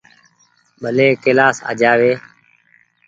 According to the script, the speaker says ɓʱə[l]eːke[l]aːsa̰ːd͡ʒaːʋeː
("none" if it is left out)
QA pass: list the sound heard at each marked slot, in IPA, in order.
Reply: l, l

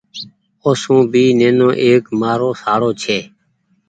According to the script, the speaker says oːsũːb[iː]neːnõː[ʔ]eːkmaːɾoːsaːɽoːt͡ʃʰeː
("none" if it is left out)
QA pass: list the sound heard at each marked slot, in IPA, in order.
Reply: iː, ʔ

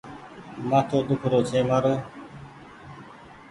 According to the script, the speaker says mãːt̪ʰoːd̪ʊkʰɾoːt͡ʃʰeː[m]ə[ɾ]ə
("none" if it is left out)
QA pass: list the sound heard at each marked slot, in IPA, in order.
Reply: m, ɾ

